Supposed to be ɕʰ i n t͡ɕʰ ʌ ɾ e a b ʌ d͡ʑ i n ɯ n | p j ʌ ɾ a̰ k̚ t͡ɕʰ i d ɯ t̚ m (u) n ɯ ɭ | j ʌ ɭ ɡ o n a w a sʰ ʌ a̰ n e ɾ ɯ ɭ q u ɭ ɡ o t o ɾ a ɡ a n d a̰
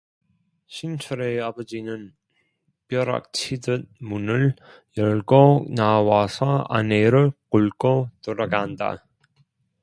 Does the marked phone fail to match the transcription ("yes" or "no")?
no